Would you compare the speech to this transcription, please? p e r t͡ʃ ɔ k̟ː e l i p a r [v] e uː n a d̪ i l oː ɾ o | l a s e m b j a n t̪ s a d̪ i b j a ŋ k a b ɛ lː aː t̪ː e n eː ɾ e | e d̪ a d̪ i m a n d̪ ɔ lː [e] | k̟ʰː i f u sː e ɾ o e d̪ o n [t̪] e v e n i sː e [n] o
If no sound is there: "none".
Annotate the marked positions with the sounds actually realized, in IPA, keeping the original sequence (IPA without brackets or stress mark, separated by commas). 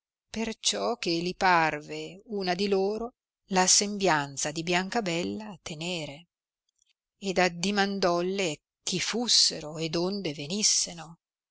v, e, d̪, n